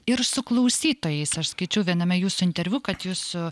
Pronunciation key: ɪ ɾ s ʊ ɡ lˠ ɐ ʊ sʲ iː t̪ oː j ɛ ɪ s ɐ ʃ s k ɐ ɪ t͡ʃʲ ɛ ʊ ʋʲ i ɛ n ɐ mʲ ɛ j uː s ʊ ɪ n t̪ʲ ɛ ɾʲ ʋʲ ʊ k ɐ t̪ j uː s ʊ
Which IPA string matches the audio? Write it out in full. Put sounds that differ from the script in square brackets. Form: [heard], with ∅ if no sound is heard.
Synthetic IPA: ɪ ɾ s ʊ [k] lˠ ɐ ʊ sʲ iː t̪ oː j ɛ ɪ s ɐ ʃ s k ɐ ɪ t͡ʃʲ ɛ ʊ ʋʲ i ɛ n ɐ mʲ ɛ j uː s ʊ ɪ n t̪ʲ ɛ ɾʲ ʋʲ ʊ k ɐ t̪ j uː s ʊ